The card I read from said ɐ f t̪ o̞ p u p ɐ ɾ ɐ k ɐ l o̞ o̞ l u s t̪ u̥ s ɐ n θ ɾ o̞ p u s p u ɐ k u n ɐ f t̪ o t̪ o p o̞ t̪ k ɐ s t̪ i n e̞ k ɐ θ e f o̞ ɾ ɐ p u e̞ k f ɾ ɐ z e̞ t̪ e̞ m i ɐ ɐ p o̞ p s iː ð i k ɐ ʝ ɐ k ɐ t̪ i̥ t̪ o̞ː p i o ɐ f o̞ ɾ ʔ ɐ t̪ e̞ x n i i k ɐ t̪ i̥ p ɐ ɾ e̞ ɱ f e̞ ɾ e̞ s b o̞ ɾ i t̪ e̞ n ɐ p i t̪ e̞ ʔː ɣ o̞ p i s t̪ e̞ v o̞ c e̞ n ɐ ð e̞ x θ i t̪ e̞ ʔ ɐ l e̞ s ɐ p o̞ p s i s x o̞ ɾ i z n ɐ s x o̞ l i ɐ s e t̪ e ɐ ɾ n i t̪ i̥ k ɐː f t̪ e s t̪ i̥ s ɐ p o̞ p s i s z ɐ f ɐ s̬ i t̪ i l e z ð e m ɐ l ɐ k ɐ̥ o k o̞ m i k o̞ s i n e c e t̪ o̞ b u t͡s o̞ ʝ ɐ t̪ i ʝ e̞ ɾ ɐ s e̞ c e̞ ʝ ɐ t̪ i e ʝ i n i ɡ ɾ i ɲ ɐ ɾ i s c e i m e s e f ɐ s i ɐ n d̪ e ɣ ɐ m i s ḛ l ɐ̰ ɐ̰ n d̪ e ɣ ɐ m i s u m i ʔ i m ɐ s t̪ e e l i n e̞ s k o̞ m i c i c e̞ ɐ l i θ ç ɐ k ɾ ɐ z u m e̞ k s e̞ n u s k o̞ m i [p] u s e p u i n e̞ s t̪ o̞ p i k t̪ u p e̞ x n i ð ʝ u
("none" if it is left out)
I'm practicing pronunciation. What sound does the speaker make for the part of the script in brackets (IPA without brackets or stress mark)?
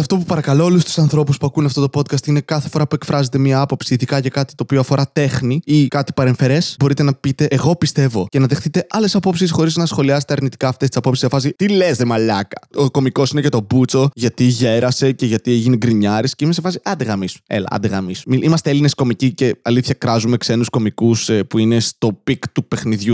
k